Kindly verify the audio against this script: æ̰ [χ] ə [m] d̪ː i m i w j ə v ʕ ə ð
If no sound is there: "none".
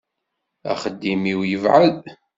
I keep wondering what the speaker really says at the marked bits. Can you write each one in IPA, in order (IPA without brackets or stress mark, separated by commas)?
χ, none